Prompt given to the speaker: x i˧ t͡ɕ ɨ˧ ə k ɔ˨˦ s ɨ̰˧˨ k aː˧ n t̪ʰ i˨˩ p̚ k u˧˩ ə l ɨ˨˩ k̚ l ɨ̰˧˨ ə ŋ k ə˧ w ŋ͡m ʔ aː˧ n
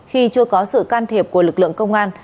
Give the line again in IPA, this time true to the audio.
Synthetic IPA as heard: x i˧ t͡ɕ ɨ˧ ə k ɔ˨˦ s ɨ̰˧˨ k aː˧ n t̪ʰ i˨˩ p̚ k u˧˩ ə l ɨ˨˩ k̚ l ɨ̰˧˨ ə ŋ k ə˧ w ŋ͡m ʔ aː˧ n

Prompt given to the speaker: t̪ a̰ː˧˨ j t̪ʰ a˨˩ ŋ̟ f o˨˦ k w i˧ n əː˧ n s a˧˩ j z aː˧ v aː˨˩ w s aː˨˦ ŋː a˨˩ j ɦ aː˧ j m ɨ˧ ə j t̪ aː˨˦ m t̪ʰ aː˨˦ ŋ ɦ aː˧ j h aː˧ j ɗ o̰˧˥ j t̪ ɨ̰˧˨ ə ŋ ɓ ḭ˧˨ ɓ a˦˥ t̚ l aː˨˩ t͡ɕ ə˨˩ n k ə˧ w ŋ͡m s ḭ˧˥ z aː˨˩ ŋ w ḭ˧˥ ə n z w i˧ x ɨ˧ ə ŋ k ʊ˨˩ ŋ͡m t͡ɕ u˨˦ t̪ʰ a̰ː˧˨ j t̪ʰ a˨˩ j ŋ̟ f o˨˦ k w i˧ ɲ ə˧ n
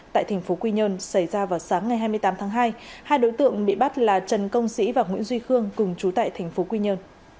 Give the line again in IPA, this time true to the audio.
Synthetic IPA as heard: t̪ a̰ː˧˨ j t̪ʰ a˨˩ ŋ̟ f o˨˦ k w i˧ ɲ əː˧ n s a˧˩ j z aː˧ v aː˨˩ w s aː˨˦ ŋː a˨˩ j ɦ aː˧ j m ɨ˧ ə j t̪ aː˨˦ m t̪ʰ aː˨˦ ŋ ɦ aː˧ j h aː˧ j ɗ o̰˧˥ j t̪ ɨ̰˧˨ ə ŋ ɓ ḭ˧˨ ɓ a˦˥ t̚ l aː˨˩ t͡ɕ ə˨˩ n k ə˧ w ŋ͡m s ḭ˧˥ v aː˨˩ ŋ w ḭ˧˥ ə n z w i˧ x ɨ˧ ə ŋ k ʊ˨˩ ŋ͡m t͡ɕ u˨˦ t̪ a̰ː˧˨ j t̪ʰ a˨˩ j ŋ̟ f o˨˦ k w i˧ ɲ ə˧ n

